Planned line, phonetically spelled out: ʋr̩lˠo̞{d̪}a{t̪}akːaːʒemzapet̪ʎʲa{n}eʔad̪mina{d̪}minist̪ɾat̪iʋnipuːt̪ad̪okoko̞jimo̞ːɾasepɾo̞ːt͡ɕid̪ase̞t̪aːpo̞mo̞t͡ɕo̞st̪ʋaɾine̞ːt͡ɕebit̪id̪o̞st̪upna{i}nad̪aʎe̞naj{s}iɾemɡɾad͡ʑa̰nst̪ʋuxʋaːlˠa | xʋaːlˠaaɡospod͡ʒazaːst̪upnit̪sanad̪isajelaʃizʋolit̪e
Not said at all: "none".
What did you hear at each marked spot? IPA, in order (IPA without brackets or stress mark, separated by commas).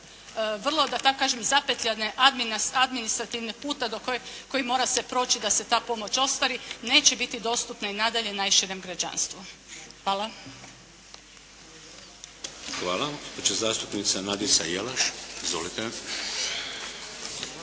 d̪, t̪, n, d̪, i, ʃ